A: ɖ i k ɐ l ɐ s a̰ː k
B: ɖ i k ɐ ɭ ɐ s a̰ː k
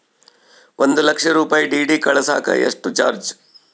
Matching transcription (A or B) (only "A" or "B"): B